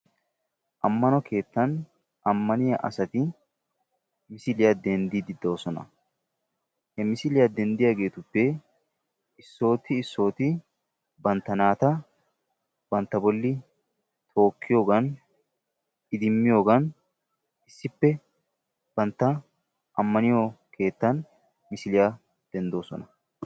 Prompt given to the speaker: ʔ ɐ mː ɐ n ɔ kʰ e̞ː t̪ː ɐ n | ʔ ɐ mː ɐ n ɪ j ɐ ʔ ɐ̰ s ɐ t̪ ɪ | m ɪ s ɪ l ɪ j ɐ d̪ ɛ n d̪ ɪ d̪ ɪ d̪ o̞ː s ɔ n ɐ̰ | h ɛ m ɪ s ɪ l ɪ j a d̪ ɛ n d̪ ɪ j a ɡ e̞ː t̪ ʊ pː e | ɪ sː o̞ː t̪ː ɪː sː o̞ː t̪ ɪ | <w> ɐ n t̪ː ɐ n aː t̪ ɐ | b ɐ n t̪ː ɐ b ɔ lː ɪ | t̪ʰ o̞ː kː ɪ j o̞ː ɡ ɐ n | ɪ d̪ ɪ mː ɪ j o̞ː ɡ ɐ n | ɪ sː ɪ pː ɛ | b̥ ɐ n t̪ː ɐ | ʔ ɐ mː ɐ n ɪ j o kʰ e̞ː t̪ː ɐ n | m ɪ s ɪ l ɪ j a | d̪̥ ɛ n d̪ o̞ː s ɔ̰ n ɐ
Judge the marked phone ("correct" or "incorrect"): incorrect